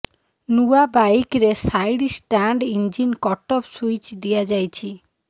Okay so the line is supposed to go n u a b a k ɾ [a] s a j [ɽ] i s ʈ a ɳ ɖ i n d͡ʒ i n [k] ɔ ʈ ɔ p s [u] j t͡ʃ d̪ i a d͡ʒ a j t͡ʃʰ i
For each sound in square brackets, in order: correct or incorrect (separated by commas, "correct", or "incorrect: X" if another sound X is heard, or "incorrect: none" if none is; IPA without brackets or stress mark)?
incorrect: e, correct, correct, correct